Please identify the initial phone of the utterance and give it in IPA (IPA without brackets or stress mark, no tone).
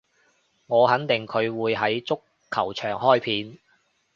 ŋ